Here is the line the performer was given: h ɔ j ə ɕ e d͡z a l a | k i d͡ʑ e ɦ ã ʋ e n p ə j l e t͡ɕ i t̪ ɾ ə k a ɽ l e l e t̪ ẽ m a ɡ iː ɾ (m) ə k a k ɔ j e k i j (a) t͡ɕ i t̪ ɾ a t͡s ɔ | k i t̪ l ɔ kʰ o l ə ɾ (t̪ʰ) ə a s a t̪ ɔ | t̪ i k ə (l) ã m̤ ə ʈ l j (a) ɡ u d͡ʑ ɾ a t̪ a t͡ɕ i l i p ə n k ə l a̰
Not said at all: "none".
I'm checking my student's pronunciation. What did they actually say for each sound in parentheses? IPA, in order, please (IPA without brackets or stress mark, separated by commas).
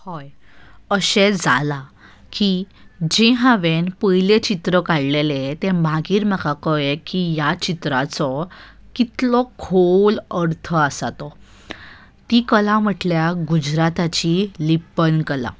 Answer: m, a, t̪ʰ, l, a